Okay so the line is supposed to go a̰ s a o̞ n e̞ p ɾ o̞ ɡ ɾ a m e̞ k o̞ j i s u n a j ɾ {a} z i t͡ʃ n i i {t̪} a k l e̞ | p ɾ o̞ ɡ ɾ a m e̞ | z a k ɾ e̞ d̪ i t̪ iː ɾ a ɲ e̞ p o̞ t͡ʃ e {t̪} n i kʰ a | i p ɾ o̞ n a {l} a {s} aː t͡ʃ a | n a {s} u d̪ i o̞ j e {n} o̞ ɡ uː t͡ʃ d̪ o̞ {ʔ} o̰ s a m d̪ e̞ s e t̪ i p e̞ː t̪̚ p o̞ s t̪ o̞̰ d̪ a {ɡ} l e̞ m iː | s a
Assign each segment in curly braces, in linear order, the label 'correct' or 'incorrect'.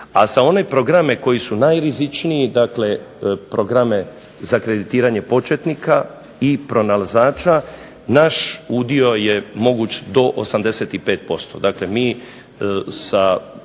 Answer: incorrect: i, incorrect: d̪, correct, correct, incorrect: z, incorrect: ʃ, incorrect: m, correct, incorrect: k

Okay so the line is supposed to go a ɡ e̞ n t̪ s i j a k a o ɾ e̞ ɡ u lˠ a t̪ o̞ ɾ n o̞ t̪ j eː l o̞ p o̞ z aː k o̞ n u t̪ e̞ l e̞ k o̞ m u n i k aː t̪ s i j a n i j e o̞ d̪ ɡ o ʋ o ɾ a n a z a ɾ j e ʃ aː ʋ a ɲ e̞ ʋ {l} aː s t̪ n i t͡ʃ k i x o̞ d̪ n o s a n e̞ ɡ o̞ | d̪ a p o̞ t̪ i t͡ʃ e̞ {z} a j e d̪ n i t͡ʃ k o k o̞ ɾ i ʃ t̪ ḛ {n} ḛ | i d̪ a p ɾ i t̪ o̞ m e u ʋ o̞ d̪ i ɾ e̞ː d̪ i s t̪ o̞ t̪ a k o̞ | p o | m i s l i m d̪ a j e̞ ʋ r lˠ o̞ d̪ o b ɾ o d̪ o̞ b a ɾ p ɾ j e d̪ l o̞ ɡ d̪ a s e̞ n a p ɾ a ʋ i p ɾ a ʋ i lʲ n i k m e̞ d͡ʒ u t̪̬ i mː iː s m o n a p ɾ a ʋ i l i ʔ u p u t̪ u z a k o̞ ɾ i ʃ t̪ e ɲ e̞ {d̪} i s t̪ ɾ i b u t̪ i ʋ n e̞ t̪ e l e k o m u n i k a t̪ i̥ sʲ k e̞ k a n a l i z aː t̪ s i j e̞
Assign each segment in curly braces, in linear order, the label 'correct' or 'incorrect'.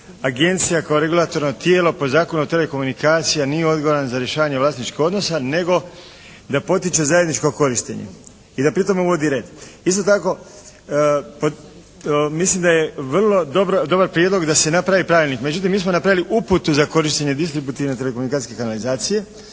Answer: correct, correct, incorrect: ɲ, correct

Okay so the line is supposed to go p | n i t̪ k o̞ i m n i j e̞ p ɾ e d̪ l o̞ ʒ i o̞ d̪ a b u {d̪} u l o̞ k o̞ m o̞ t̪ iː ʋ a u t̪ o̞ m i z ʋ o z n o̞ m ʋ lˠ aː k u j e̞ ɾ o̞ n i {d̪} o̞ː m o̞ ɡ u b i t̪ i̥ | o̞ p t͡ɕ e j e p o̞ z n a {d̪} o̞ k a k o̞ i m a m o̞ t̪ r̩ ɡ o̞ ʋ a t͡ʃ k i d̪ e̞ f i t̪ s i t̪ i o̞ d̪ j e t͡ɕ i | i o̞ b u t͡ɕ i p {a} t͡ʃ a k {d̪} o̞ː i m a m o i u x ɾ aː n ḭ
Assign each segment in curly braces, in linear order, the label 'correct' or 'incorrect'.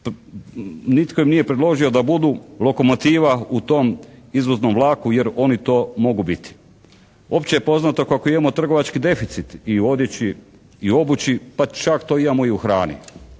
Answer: correct, incorrect: t̪, incorrect: t̪, correct, incorrect: t̪

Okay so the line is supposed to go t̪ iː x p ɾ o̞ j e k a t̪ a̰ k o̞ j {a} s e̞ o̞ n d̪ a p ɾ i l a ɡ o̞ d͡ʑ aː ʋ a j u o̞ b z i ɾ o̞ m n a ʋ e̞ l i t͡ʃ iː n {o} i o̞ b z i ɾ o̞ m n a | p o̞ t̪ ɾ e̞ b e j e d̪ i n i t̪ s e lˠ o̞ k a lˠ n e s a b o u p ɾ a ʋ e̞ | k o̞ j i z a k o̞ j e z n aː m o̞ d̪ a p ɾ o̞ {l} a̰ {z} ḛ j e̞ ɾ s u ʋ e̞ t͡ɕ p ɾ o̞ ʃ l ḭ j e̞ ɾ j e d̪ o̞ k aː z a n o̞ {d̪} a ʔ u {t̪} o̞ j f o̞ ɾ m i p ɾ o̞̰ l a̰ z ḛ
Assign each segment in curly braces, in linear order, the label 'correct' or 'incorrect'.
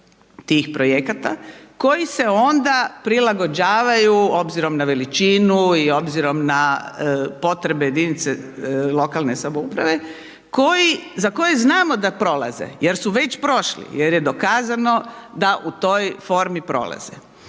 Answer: incorrect: i, incorrect: u, correct, correct, correct, correct

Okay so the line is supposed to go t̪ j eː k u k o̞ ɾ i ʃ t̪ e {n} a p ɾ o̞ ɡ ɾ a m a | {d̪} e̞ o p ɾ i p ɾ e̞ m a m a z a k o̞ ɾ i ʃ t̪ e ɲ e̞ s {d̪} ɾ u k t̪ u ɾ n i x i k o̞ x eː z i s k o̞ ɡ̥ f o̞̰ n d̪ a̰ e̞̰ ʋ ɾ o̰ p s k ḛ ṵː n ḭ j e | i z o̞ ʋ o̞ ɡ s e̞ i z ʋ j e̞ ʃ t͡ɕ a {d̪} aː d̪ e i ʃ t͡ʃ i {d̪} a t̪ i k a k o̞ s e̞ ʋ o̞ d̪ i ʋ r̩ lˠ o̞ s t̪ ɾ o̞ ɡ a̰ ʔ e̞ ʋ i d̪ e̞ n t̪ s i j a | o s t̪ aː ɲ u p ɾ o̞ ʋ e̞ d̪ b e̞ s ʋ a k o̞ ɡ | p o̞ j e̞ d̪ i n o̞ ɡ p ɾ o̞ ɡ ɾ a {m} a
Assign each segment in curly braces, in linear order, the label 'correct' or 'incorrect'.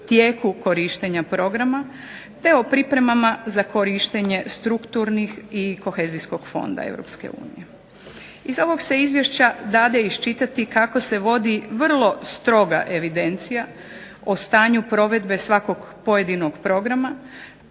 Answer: incorrect: ɲ, incorrect: t̪, incorrect: t̪, correct, incorrect: t̪, correct

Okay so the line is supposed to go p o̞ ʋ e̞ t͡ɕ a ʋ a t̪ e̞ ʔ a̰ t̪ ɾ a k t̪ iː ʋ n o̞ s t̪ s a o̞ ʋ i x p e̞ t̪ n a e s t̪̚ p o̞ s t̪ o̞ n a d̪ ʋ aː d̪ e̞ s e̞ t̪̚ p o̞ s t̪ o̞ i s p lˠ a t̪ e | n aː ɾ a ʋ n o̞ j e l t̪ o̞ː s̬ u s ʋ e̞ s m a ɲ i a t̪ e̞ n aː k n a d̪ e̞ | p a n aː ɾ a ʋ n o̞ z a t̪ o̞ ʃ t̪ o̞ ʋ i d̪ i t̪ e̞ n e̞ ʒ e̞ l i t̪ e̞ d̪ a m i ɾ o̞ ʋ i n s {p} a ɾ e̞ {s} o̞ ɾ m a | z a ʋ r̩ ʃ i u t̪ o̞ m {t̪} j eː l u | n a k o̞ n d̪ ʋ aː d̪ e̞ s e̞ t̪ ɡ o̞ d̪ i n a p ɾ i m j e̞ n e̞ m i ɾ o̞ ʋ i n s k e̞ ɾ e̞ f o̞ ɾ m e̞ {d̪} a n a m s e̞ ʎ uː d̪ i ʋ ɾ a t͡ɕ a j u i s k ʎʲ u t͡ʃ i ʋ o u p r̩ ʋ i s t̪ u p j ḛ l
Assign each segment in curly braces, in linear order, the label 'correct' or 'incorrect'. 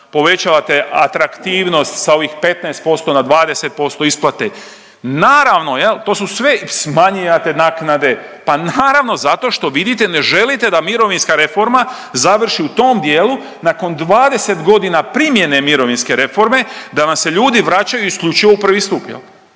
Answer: incorrect: k, incorrect: f, incorrect: d̪, correct

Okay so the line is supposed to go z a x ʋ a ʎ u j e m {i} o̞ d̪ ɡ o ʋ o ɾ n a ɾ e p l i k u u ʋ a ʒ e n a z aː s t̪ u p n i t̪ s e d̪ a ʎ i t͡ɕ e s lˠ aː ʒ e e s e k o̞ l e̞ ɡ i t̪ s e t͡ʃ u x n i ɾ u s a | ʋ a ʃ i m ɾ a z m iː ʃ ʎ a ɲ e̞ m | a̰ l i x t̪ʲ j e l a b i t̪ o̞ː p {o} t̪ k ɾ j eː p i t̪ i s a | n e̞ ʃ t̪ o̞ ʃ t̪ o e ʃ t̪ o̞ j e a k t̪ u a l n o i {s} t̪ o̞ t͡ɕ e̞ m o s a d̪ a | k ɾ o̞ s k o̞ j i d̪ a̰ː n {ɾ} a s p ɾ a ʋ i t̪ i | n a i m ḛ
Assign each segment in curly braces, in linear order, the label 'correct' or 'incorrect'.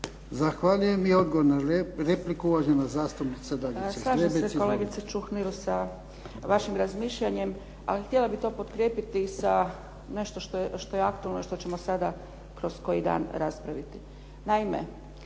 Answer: correct, correct, incorrect: ʃ, correct

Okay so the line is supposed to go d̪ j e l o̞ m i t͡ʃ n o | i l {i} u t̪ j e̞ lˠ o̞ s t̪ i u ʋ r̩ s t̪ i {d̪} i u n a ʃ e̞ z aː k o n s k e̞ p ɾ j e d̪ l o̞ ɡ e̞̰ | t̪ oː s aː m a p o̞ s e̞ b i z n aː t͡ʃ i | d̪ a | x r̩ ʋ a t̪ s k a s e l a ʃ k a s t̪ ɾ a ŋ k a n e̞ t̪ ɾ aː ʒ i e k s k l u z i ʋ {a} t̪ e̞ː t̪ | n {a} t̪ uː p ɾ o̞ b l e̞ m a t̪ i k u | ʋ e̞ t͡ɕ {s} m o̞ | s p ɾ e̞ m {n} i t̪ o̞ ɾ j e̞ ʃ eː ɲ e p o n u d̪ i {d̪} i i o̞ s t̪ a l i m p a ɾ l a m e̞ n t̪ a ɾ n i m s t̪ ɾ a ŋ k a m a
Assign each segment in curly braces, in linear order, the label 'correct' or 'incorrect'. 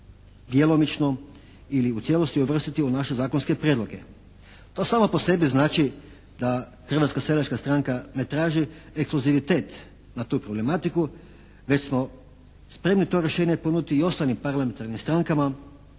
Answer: correct, incorrect: t̪, incorrect: i, correct, correct, correct, incorrect: t̪

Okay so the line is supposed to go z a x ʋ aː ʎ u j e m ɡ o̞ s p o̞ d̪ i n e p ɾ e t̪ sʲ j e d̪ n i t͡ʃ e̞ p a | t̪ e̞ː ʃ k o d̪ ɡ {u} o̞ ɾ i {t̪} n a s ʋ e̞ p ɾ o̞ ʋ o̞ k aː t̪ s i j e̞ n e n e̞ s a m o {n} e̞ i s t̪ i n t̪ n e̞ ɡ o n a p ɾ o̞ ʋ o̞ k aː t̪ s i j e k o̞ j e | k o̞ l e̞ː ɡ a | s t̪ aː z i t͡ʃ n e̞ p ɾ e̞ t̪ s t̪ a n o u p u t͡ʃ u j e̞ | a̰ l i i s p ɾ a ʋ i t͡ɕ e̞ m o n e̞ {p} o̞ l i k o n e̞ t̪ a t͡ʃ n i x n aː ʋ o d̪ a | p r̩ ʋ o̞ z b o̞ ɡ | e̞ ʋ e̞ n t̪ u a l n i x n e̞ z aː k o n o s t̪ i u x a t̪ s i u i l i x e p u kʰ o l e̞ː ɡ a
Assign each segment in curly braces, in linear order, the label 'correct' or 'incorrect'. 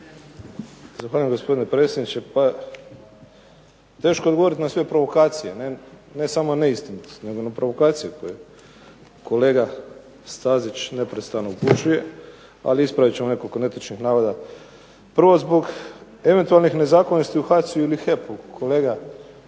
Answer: incorrect: o, correct, correct, incorrect: k

